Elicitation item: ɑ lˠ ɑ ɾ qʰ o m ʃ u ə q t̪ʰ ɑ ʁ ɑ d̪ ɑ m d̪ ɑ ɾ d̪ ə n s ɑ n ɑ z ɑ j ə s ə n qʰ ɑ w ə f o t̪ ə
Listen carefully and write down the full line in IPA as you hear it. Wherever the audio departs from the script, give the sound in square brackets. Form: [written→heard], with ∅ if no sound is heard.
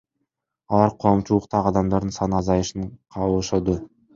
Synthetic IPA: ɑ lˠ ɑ ɾ qʰ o m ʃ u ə q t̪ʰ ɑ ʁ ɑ d̪ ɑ m d̪ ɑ ɾ d̪ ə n s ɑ n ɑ z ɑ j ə [s→ʃ] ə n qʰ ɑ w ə [f→ʃ] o [t̪→d̪] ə